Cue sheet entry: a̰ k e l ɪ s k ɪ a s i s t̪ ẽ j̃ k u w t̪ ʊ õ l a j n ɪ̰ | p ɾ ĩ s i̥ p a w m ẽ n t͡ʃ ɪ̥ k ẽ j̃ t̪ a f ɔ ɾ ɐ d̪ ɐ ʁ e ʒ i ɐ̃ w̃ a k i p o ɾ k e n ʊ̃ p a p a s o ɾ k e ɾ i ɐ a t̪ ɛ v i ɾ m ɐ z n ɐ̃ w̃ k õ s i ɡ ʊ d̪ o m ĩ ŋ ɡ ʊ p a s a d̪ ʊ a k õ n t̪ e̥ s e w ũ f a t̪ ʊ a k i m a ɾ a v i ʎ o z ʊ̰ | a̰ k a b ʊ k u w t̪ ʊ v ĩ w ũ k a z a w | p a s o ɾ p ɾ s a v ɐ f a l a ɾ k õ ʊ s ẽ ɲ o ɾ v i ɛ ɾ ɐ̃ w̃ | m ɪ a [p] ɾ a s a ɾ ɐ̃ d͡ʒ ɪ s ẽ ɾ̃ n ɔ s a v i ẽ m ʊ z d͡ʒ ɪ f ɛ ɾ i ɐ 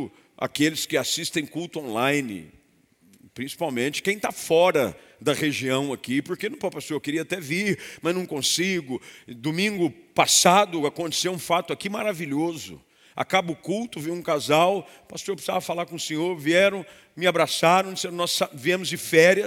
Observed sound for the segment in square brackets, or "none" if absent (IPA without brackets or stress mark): b